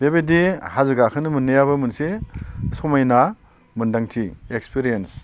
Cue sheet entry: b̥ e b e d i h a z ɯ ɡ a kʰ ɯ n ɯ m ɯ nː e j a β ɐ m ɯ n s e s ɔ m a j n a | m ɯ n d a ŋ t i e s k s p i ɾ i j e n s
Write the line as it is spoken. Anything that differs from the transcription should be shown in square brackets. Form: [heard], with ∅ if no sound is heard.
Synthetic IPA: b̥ e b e d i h a z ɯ ɡ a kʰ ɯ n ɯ m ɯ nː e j a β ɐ m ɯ n s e s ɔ m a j n a | m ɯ n d a ŋ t i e [∅] k s p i ɾ i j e n s